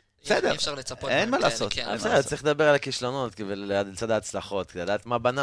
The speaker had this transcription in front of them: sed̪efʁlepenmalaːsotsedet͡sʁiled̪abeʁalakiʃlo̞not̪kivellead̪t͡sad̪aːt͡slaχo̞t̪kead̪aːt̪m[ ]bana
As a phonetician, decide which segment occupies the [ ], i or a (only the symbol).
a